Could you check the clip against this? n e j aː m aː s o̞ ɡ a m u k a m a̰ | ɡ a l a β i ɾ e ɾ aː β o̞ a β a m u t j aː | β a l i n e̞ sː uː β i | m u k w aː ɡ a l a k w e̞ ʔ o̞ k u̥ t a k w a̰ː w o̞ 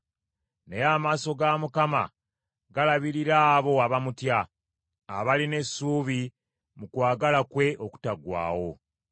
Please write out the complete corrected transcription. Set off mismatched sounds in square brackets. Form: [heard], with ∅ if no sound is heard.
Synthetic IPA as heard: n e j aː m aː s o̞ ɡ a m u k a m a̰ | ɡ a l a β i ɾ [i] ɾ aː β o̞ a β a m u t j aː | β a l i n e̞ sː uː β i | m u k w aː ɡ a l a k w e̞ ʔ o̞ k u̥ t a [ɡ] w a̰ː w o̞